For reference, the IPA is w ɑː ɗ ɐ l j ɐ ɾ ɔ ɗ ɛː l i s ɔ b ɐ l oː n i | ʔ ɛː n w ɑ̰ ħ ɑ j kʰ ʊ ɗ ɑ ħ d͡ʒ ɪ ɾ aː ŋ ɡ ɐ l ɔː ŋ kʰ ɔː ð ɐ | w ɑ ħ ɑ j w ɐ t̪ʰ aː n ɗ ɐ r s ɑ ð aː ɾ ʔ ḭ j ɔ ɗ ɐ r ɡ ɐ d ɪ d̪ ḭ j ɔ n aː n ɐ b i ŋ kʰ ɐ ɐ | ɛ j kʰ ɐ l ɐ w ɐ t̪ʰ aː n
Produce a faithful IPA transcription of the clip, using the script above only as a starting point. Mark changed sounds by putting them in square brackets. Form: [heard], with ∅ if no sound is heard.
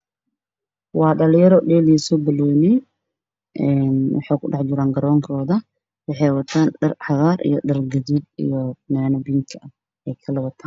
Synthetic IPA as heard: w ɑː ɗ ɐ l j ɐ ɾ ɔ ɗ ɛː l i s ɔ b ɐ l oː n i | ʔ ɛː n w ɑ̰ ħ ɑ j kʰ ʊ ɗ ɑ ħ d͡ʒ ɪ ɾ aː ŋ ɡ ɐ [ɾ] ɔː ŋ kʰ ɔː ð ɐ | w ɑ ħ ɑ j w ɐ t̪ʰ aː n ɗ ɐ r [ħ] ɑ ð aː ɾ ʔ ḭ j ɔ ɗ ɐ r ɡ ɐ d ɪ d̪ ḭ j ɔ n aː n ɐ b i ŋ kʰ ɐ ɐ | ɛ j kʰ ɐ l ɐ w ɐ t̪ʰ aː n